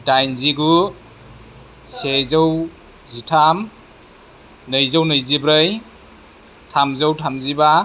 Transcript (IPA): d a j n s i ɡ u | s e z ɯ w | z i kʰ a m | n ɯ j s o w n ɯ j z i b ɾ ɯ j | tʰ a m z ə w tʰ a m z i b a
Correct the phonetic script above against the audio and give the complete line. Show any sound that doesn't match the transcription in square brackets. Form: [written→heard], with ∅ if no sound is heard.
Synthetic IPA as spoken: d a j n [s→z] i ɡ u | s e z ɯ w | z i [kʰ→tʰ] a m | n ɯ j [s→z] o w n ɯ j z i b ɾ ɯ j | tʰ a m z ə w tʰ a m z i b a